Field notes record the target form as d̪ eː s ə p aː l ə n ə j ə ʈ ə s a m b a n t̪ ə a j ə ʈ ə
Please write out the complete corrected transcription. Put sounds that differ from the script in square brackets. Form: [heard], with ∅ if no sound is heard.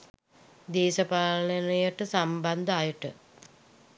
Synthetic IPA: d̪ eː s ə p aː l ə n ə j ə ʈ ə s a m b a n [d̪] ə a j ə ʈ ə